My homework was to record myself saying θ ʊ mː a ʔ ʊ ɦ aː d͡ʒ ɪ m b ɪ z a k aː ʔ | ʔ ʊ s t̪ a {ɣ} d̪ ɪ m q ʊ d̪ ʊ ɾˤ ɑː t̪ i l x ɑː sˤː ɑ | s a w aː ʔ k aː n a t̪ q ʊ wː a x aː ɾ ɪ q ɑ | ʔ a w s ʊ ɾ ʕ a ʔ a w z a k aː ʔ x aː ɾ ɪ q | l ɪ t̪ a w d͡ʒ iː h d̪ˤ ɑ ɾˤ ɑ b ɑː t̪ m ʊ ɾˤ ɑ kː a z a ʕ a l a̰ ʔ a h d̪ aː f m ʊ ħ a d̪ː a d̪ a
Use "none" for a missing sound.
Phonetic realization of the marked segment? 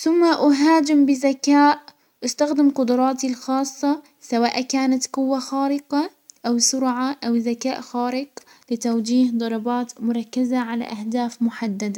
x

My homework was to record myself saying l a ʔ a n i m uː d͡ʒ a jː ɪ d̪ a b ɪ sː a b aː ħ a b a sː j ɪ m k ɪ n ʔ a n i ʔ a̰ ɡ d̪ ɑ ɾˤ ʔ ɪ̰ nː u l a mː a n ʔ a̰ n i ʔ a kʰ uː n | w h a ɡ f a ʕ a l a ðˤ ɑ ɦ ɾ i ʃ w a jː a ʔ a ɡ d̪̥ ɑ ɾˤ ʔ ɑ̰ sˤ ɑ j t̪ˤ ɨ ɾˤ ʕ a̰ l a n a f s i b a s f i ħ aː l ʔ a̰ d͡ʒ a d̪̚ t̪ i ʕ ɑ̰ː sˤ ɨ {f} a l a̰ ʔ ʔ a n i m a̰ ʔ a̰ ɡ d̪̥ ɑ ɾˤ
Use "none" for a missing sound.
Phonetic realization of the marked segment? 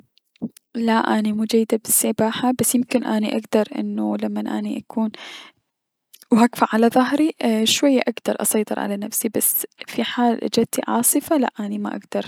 f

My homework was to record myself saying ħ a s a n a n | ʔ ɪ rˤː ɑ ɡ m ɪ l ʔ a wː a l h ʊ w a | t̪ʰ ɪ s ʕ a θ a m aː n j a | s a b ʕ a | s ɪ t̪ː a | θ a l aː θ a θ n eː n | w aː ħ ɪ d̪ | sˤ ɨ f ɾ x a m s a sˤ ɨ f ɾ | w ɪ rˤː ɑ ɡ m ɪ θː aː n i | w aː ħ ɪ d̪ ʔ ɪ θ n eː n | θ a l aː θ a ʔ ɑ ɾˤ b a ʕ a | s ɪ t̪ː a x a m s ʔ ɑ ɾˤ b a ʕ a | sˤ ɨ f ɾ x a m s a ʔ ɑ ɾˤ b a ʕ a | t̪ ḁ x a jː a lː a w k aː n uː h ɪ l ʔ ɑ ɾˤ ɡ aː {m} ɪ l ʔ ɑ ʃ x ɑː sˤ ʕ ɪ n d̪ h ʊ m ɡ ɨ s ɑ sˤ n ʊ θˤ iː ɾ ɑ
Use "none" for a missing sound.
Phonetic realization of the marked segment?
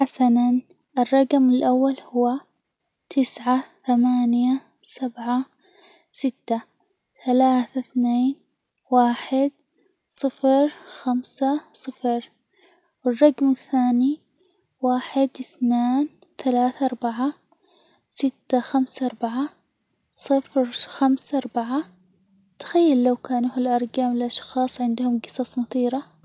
m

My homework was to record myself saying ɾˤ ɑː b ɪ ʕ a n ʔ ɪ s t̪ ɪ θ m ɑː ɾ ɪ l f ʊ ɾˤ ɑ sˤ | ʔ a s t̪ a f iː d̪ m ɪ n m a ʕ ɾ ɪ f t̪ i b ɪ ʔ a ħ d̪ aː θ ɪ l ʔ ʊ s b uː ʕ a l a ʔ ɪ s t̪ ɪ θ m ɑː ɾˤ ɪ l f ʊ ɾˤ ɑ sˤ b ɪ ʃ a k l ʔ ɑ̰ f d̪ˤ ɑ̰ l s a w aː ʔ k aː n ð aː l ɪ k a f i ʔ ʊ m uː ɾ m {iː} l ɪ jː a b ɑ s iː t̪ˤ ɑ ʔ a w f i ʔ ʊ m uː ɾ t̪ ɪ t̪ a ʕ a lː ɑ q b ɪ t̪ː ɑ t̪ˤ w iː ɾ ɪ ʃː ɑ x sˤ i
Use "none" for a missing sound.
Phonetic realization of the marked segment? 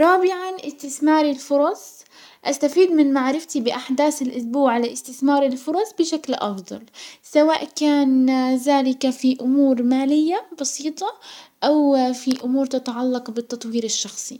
aː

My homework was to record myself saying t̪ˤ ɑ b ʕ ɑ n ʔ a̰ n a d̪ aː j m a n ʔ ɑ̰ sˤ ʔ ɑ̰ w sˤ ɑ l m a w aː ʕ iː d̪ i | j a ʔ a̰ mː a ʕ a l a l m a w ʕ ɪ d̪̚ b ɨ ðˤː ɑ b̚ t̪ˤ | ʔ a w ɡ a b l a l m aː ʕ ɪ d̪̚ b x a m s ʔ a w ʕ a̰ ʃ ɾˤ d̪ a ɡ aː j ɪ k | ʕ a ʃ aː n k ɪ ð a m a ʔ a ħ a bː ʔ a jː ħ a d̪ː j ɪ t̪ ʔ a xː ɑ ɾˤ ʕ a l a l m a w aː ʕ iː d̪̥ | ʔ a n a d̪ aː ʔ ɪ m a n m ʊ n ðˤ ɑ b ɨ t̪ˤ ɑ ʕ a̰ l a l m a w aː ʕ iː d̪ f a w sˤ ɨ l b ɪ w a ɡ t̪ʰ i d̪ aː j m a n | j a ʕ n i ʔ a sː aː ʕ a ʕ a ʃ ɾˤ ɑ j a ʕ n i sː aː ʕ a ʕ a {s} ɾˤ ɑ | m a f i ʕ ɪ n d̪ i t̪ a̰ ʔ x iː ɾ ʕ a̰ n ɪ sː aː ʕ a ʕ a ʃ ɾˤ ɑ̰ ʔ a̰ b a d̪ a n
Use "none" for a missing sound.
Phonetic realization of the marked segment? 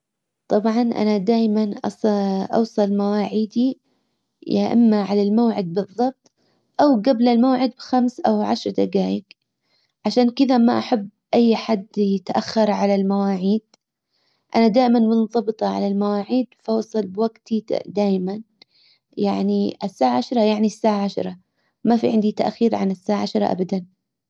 ʃ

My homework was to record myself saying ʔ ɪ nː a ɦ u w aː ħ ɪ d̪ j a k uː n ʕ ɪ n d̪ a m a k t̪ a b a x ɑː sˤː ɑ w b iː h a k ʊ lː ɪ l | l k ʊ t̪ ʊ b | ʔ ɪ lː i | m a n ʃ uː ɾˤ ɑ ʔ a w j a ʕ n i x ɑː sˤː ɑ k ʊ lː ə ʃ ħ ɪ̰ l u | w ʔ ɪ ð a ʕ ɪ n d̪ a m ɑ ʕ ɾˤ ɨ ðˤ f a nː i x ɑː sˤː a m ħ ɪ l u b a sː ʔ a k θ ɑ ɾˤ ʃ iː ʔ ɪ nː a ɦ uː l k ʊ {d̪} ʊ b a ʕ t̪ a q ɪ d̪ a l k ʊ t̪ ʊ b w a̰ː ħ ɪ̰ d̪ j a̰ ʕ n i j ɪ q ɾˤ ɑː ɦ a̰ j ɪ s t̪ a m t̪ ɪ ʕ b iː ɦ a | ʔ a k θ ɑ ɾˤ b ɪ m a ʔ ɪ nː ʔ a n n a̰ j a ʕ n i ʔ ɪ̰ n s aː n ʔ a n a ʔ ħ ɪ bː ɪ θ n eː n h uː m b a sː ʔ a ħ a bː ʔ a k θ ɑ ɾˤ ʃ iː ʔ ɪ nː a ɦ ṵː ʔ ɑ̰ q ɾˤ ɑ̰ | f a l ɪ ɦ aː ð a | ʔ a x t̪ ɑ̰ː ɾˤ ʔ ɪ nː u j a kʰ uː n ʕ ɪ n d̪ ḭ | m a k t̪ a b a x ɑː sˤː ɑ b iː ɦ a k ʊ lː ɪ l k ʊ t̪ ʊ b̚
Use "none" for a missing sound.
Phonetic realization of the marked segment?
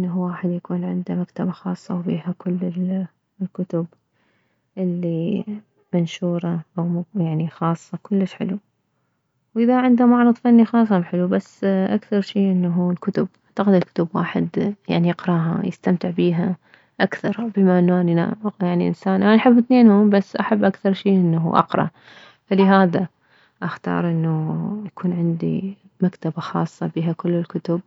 t̪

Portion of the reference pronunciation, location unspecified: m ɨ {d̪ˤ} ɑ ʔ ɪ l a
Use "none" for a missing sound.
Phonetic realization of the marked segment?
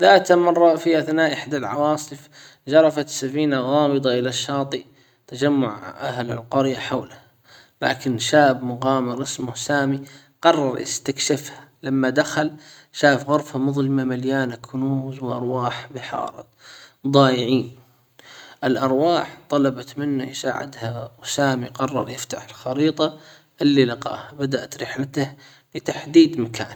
d̪ˤ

